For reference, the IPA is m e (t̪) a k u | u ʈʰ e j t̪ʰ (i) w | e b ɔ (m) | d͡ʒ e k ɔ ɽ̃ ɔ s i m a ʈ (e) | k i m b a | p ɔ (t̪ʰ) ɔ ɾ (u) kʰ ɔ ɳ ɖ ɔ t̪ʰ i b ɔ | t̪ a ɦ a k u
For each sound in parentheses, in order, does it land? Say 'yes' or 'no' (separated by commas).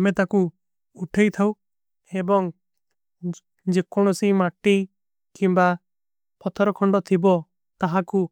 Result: yes, no, no, no, yes, no